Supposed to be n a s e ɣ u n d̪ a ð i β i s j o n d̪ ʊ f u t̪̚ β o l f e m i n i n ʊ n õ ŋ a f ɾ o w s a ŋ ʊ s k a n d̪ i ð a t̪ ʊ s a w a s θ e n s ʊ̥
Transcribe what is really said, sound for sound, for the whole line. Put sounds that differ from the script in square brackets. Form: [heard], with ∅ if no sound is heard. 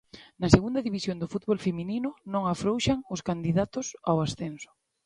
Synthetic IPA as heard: n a s e ɣ u n d̪ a ð i β i s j o n d̪ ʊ f u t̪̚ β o l f e m i n i n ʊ n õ ŋ a f ɾ o w [ʃ] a ŋ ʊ s k a n d̪ i ð a t̪ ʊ s a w a s θ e n s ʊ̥